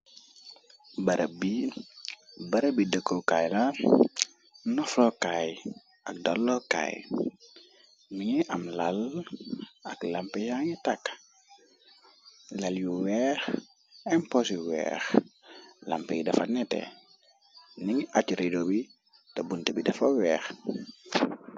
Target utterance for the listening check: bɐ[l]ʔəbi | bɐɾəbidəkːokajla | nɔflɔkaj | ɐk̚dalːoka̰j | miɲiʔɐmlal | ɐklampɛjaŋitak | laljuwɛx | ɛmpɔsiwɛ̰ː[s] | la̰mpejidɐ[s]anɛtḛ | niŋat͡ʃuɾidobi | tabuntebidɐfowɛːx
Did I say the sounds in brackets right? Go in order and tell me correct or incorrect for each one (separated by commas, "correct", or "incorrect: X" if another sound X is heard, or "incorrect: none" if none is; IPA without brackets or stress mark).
incorrect: ɾ, incorrect: x, incorrect: f